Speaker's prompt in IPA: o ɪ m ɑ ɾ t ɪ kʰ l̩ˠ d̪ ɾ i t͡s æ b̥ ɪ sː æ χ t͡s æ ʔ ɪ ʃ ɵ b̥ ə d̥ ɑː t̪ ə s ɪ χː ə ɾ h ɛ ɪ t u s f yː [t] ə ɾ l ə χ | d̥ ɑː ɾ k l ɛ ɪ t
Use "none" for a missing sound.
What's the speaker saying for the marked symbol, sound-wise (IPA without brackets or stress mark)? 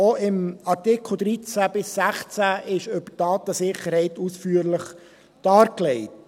none